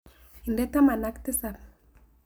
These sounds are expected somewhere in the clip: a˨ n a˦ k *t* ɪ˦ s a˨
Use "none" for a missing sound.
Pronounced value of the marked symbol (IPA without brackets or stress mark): t